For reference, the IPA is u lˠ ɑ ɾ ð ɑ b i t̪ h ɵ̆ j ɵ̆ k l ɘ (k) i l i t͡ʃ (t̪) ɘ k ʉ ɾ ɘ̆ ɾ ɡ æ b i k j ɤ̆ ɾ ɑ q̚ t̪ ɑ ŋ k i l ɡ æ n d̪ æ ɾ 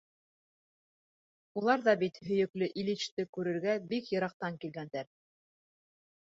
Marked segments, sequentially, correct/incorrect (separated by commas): incorrect, correct